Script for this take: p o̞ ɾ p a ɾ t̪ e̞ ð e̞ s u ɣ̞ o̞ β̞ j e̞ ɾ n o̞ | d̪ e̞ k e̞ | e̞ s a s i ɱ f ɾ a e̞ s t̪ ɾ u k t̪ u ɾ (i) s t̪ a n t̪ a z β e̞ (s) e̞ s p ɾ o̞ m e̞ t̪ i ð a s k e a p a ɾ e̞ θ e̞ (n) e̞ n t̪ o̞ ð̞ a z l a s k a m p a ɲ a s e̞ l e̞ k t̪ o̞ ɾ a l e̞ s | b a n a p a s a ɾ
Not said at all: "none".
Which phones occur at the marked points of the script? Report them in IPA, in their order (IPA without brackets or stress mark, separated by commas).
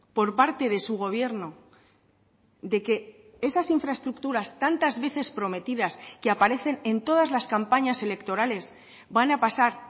a, θ, n